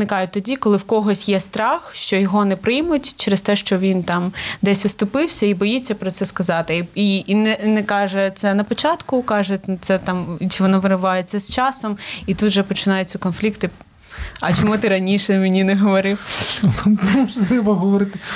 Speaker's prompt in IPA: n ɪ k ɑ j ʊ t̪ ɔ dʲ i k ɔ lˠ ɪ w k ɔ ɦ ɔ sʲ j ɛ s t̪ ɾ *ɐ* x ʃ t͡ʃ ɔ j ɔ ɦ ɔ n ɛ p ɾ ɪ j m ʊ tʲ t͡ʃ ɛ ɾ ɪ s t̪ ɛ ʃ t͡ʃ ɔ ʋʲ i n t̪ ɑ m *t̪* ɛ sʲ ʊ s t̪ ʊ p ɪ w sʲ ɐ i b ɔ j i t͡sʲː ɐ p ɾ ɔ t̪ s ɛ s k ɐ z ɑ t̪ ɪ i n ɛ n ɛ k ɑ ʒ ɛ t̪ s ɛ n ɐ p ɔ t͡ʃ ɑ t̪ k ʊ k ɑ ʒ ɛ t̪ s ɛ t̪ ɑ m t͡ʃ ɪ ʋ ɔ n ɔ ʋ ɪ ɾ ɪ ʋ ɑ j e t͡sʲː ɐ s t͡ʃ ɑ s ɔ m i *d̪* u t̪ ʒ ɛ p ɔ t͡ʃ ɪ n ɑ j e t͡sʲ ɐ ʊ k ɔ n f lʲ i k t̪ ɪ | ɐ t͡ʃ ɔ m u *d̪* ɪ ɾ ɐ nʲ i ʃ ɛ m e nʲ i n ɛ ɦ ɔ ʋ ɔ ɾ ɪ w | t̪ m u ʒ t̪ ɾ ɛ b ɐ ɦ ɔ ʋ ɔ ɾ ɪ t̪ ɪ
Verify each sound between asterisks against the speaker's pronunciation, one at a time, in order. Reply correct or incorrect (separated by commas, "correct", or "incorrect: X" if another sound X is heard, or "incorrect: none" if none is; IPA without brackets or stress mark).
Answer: incorrect: ɑ, incorrect: d̪, incorrect: t̪, incorrect: t̪